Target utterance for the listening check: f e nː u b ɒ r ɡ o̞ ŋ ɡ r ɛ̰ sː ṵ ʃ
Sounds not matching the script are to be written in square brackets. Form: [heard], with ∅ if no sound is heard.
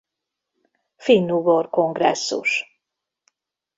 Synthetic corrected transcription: f [i] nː u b [o] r [k] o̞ ŋ ɡ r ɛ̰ sː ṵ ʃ